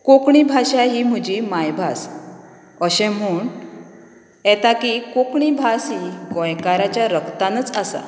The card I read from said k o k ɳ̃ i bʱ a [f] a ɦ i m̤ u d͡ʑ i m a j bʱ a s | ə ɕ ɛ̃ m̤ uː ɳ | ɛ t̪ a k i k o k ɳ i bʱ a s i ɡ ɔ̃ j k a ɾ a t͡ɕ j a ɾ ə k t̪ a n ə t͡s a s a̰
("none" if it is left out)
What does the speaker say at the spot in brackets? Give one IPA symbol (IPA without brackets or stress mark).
ɕ